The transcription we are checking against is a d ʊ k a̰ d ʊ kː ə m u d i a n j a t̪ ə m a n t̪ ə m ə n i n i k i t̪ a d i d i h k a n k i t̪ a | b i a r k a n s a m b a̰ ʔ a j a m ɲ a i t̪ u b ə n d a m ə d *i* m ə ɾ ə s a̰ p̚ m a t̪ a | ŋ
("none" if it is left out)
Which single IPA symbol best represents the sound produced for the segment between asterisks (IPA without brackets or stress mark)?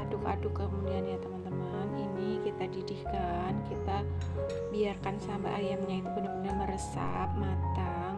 a